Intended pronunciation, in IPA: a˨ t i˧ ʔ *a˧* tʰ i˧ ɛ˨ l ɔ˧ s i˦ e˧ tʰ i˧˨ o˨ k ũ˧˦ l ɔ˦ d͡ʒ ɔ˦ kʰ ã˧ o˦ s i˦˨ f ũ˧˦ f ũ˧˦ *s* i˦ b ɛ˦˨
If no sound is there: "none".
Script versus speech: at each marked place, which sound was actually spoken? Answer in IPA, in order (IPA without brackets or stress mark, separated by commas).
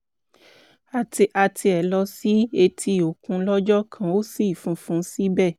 a˧, s